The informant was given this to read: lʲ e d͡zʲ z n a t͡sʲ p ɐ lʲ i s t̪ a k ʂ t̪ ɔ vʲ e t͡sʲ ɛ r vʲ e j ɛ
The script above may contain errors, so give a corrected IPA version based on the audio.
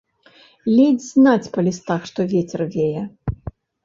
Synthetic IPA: lʲ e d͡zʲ z n a t͡sʲ p ɐ lʲ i s t̪ a x ʂ t̪ ɔ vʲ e t͡sʲ ɛ r vʲ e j ɛ